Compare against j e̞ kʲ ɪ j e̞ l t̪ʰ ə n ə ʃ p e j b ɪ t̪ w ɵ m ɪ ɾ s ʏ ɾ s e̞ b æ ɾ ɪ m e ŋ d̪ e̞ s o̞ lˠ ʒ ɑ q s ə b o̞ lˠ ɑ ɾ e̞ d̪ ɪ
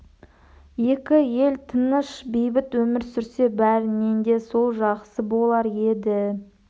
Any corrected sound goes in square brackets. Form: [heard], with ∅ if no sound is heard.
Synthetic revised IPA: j e̞ kʲ ɪ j e̞ l t̪ʰ ə n ə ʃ [b] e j b ɪ t̪ w ɵ m ɪ ɾ s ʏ ɾ s e̞ b æ ɾ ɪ [n] e [n] d̪ e̞ s o̞ lˠ ʒ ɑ q s ə b o̞ lˠ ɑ ɾ e̞ d̪ ɪ